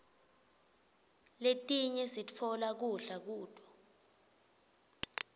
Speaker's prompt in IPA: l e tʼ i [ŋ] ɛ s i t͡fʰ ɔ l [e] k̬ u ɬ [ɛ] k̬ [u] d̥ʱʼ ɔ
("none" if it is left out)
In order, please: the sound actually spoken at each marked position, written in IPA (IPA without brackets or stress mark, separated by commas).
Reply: ɲ, a, a, uː